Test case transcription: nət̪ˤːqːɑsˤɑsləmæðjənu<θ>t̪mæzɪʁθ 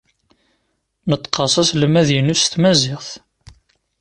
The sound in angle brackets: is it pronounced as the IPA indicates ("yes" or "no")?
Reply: no